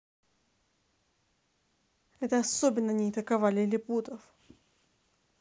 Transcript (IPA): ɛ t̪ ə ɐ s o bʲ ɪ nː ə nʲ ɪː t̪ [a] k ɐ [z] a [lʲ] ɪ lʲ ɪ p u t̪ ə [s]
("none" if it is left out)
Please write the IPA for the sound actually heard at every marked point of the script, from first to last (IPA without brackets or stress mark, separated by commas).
ə, v, lʲ, f